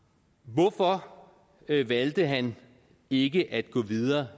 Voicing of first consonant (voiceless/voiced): voiced